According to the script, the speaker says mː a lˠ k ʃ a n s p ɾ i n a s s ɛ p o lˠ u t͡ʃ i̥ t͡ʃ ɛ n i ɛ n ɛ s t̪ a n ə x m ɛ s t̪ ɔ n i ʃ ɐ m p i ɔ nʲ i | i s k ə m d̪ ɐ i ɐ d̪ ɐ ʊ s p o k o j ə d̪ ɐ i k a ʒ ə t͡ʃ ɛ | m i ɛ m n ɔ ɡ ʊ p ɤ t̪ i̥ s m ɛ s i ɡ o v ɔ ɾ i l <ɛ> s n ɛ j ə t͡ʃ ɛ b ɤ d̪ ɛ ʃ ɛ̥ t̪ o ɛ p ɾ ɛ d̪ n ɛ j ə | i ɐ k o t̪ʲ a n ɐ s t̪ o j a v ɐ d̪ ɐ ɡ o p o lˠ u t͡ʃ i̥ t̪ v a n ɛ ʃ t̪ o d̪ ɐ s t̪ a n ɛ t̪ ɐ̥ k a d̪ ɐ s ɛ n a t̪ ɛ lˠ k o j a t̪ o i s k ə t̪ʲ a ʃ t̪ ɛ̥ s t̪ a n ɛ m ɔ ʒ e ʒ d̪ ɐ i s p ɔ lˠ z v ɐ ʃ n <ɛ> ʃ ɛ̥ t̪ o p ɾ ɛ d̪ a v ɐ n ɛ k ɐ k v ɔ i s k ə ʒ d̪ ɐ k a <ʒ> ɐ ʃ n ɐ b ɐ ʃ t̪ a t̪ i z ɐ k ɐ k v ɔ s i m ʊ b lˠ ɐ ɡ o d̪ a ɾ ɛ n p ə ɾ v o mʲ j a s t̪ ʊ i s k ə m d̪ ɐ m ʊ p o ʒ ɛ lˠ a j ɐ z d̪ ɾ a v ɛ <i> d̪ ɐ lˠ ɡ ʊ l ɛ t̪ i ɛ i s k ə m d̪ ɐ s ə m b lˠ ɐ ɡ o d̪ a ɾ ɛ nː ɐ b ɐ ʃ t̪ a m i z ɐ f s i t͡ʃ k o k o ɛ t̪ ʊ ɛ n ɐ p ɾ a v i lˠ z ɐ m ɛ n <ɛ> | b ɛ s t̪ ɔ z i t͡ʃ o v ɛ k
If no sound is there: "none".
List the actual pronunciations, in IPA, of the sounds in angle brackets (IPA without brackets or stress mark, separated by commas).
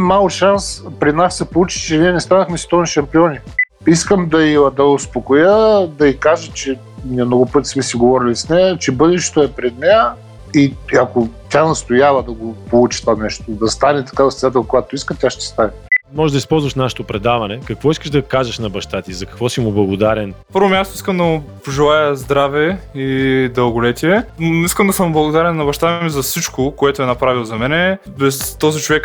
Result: i, a, ʒ, i, ɛ